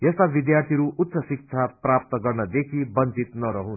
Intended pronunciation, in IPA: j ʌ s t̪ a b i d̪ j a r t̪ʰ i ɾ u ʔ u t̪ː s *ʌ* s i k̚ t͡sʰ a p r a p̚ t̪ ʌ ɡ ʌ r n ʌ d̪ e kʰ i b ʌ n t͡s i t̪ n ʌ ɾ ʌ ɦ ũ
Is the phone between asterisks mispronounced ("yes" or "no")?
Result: no